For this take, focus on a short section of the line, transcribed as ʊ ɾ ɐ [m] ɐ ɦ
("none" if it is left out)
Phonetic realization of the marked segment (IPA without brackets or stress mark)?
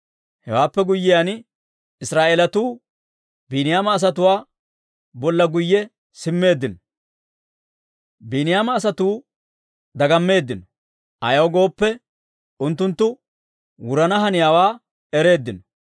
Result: n